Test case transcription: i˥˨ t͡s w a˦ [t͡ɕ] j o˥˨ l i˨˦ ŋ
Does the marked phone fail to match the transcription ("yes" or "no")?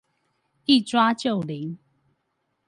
no